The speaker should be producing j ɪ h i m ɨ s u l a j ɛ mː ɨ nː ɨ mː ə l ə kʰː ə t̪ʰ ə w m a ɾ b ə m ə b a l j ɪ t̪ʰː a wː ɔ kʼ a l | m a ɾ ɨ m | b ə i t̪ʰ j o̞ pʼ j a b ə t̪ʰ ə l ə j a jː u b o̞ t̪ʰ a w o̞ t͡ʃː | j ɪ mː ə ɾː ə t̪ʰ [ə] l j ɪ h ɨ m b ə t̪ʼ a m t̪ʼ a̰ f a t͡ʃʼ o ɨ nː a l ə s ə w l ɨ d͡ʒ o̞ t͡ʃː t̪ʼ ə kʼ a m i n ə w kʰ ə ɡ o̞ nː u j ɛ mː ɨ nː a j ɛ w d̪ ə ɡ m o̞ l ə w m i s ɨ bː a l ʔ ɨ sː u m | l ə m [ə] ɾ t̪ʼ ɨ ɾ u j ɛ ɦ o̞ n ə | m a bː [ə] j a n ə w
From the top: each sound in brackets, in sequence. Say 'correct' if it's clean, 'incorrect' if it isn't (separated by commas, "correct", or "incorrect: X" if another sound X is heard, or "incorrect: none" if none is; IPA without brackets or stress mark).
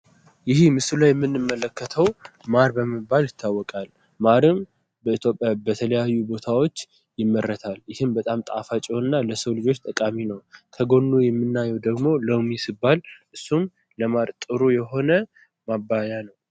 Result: incorrect: a, incorrect: a, incorrect: a